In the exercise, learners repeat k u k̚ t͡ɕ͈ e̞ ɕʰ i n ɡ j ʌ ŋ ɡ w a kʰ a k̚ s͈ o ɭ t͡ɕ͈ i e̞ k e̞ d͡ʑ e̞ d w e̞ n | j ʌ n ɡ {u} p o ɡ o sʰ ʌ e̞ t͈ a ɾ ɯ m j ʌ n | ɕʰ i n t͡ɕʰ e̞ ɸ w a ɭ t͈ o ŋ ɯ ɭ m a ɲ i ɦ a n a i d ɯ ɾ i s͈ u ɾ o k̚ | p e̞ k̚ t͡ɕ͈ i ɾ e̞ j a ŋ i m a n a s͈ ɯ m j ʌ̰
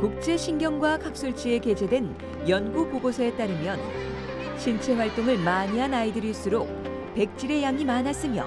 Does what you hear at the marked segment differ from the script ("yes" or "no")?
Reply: no